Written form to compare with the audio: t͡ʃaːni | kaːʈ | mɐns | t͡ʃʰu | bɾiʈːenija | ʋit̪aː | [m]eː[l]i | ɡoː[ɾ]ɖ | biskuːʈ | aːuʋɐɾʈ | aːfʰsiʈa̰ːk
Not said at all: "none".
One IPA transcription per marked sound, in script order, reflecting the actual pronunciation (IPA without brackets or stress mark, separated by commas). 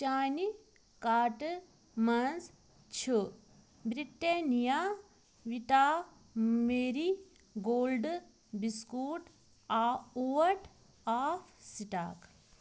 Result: m, ɾ, l